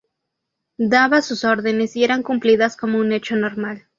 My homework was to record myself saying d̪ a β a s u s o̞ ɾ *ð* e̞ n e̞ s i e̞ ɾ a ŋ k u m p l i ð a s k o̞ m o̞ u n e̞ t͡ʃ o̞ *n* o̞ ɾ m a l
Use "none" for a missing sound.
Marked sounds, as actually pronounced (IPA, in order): ð, n

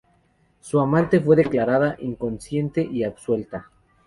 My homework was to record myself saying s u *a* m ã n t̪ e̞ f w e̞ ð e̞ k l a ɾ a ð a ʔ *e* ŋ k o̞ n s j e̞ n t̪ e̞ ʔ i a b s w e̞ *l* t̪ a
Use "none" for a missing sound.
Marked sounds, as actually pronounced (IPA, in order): a, i, l

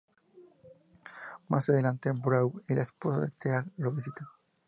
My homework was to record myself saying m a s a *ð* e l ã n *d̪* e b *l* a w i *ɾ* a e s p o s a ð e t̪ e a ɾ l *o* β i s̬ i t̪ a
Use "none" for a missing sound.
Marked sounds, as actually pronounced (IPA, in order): ð, t̪, ɾ, l, o

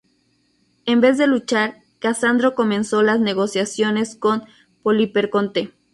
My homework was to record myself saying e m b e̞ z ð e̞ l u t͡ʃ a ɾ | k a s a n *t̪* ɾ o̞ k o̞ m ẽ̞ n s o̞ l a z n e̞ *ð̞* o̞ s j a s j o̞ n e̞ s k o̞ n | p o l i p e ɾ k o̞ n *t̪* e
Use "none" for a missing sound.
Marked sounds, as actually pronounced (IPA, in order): d̪, ɣ̞, t̪

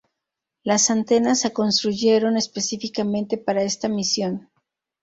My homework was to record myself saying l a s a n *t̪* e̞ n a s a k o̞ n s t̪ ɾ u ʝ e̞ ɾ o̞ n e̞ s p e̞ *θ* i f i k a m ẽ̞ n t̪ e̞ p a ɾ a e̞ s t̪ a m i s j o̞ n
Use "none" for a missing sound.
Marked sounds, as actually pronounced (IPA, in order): t̪, s

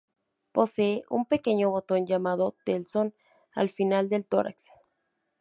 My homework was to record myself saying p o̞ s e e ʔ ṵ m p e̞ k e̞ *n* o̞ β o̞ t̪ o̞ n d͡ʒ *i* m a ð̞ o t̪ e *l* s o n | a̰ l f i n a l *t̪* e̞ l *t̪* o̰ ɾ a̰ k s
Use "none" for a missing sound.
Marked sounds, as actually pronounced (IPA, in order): ɲ, a, l, d̪, t̪

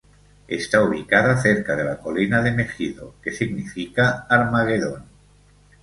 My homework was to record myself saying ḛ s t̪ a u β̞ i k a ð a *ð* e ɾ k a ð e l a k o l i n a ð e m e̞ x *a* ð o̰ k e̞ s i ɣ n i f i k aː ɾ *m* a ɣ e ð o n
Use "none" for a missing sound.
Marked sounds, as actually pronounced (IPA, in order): θ, i, m

